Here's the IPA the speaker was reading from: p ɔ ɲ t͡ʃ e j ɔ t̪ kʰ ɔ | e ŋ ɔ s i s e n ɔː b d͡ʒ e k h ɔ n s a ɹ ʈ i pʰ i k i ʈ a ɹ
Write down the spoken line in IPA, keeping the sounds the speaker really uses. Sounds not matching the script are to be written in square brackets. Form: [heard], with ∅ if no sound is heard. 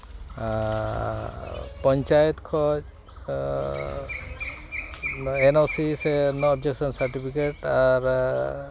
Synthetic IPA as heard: p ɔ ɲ t͡ʃ [a] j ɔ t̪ kʰ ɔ | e [n] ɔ s i s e n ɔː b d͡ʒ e k [s] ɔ n s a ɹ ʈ i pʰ i k [e] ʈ a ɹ